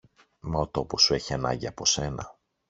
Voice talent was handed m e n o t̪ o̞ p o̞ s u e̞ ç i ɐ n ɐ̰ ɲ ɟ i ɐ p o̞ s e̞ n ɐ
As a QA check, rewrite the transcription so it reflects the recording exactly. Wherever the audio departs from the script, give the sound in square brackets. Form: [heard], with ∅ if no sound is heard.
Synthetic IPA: m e [∅] o t̪ o̞ p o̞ s u e̞ ç i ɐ n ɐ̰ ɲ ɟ i ɐ p o̞ s e̞ n ɐ

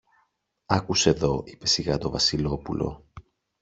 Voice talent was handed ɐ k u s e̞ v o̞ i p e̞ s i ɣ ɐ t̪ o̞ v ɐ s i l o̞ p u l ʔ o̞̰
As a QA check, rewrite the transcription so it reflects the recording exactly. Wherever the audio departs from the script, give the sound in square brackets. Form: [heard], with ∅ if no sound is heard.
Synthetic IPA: ɐ k u s e̞ [ð] o̞ i p e̞ s i ɣ ɐ t̪ o̞ v ɐ s i l o̞ p u l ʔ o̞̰

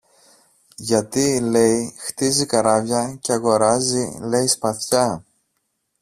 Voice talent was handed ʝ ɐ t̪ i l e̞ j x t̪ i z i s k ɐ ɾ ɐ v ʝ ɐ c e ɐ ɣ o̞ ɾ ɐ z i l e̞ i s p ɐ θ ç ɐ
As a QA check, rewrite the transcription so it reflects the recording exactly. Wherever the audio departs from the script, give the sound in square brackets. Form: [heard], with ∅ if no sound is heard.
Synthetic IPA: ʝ ɐ t̪ i l e̞ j x t̪ i z i [∅] k ɐ ɾ ɐ v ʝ ɐ c e ɐ ɣ o̞ ɾ ɐ z i l e̞ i s p ɐ θ ç ɐ

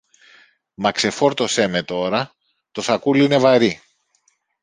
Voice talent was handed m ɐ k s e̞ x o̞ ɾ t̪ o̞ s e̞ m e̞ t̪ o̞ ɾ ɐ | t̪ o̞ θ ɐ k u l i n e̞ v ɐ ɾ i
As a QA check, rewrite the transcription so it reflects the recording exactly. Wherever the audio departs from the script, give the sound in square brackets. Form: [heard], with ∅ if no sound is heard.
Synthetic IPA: m ɐ k s e̞ [f] o̞ ɾ t̪ o̞ s e̞ m e̞ t̪ o̞ ɾ ɐ | t̪ o̞ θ ɐ k u l i n e̞ v ɐ ɾ i

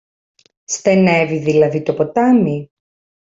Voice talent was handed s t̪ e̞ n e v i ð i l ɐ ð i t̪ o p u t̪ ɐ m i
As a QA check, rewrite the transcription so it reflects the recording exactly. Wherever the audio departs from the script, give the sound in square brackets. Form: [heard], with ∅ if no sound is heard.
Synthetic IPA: s t̪ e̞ n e v i ð i l ɐ ð i t̪ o p [o] t̪ ɐ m i

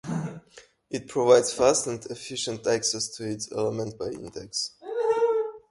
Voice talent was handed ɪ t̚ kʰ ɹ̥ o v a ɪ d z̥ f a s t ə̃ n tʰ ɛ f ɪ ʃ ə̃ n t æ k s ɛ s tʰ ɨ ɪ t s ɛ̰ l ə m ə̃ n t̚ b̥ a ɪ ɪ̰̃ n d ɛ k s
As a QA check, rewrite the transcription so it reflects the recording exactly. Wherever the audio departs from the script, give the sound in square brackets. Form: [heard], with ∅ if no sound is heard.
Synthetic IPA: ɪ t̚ [pʰ] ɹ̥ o v a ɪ d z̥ f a s t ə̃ n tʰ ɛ f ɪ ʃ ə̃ n t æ k s ɛ s tʰ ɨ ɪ t s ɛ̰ l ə m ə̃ n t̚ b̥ a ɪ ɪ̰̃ n d ɛ k s

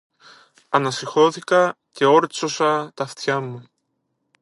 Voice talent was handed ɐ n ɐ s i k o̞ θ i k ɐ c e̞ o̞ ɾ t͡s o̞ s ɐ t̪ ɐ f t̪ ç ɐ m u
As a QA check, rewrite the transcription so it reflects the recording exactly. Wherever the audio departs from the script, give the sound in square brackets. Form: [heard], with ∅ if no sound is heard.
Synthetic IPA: ɐ n ɐ s i [x] o̞ θ i k ɐ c e̞ o̞ ɾ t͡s o̞ s ɐ t̪ ɐ f t̪ ç ɐ m u

